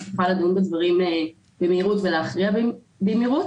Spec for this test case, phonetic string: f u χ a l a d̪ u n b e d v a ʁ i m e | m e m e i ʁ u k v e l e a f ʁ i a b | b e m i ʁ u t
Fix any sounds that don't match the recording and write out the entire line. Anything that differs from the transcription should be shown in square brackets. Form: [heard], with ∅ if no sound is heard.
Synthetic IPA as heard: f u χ a l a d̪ u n b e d v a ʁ i m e | [b] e m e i ʁ u [t] v e l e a [χ] ʁ i a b | b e m i ʁ u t